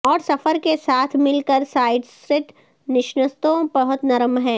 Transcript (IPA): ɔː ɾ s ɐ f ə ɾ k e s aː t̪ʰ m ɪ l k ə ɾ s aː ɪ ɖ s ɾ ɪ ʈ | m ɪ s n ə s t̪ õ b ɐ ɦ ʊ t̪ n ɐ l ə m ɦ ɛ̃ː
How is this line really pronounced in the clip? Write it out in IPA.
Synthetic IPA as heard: ɔː ɾ s ɐ f ə ɾ k e s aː t̪ʰ m ɪ l k ə ɾ s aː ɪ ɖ s ɾ ɪ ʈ | n ɪ ʃ n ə s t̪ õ b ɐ ɦ ʊ t̪ n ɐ ɾ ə m ɦ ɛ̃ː